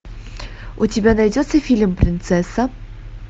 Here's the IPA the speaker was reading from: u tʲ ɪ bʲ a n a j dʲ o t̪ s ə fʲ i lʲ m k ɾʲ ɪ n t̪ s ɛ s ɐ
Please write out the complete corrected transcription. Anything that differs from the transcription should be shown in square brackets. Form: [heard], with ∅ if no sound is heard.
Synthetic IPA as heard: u tʲ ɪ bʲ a n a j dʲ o t̪ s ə fʲ i lʲ m [p] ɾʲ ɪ n t̪ s ɛ s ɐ